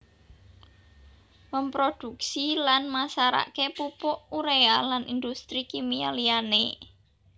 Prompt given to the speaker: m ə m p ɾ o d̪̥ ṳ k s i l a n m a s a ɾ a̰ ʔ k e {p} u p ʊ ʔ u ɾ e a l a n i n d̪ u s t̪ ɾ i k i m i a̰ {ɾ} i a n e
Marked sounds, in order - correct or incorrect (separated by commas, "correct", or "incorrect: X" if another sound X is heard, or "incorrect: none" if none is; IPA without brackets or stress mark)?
correct, incorrect: l